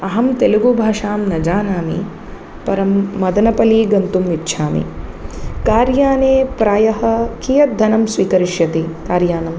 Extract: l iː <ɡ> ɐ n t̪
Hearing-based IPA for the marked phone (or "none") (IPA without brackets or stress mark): ɡ